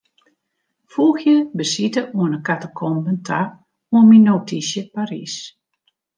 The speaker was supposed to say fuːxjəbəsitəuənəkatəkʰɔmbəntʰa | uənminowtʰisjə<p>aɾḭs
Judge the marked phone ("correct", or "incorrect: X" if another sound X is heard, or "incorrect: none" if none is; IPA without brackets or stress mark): correct